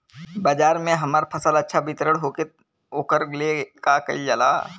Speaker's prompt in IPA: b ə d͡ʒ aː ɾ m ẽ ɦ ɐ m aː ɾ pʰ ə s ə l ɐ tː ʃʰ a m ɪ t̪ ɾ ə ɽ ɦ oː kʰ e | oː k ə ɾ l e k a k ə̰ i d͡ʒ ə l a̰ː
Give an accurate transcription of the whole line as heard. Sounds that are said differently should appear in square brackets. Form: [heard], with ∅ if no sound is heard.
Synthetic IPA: b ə d͡ʒ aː ɾ m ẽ ɦ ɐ m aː ɾ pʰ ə s ə l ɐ tː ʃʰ a [b] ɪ t̪ ɾ ə ɽ ɦ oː [k] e | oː k ə ɾ l e k a k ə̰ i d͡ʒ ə l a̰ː